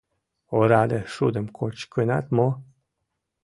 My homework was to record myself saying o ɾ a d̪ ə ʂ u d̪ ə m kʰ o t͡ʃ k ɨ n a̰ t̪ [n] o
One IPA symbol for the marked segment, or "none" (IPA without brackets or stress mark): m